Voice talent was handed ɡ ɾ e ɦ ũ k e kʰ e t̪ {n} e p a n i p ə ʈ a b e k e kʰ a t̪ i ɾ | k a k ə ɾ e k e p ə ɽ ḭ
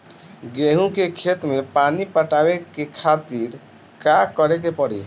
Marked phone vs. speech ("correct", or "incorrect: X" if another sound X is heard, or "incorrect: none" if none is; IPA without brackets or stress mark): incorrect: m